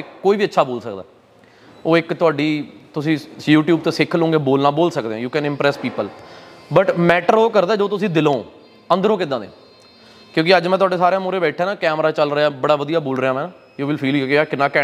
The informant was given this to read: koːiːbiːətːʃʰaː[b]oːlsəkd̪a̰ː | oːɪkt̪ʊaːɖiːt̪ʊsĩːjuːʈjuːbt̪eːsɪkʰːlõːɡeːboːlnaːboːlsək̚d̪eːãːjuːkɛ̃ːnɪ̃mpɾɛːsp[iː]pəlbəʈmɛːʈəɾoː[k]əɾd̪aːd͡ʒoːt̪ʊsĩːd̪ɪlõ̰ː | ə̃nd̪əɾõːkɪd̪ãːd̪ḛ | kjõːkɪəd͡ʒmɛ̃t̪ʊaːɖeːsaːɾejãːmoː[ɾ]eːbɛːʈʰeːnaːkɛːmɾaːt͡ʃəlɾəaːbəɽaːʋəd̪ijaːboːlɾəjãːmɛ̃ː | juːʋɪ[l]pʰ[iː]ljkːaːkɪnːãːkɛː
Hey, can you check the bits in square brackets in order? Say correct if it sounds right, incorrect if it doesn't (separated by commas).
correct, correct, correct, correct, correct, correct